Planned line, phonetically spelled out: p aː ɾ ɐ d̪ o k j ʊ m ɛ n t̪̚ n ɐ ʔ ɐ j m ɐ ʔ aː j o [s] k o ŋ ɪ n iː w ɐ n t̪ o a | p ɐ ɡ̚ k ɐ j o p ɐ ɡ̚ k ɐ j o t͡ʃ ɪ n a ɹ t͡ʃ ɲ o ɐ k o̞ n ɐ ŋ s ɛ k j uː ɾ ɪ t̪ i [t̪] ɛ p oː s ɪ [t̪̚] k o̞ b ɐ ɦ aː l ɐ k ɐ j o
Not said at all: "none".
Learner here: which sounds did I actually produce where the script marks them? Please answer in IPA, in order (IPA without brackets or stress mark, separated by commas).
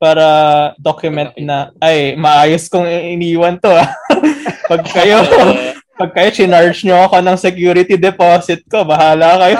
s, d̪, t̪̚